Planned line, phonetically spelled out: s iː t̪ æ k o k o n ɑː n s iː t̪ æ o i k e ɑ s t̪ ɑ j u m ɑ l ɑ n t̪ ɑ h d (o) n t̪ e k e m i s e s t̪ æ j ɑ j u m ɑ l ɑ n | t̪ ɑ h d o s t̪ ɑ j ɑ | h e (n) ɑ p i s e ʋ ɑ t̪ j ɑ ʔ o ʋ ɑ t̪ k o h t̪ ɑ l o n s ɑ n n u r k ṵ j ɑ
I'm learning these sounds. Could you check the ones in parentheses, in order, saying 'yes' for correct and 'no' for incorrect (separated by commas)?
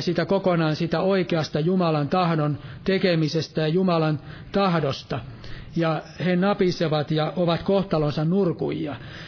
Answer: yes, yes